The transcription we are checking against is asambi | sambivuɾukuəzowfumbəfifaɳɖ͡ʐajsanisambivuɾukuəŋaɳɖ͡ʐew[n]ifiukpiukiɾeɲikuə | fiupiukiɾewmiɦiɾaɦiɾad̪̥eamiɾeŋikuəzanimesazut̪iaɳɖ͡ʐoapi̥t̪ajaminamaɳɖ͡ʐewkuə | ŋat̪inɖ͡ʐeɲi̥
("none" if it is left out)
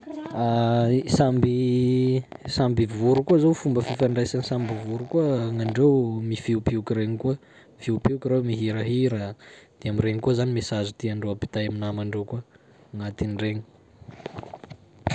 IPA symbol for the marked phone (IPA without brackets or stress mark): m